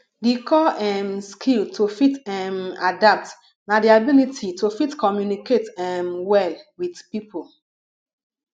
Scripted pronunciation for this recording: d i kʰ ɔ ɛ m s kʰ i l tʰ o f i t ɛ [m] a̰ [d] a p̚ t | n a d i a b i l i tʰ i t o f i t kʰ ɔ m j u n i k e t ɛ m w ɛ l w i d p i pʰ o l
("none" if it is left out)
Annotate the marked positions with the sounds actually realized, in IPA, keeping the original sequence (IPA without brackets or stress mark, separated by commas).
m, d